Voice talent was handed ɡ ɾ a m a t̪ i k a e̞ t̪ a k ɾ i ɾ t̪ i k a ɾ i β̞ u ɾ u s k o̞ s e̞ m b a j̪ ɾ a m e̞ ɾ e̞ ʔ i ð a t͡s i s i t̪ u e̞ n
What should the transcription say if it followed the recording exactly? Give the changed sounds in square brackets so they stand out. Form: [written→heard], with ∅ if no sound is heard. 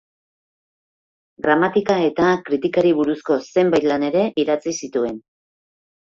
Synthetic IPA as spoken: ɡ ɾ a m a t̪ i k a e̞ t̪ a k ɾ i [ɾ→∅] t̪ i k a ɾ i β̞ u ɾ u s k o̞ s e̞ m b a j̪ [ɾ→l] a [m→n] e̞ ɾ e̞ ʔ i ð a t͡s i s i t̪ u e̞ n